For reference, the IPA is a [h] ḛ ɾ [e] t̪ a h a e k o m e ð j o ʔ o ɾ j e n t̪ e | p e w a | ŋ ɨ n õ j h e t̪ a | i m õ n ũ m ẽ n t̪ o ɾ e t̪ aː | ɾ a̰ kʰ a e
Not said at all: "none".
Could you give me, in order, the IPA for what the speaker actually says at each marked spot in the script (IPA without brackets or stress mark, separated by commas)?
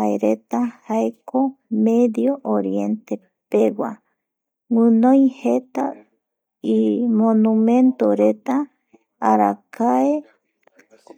none, e